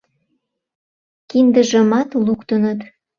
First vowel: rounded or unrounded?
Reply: unrounded